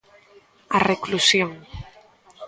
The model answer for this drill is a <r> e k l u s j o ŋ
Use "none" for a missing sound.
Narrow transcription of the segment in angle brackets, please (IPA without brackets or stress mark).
r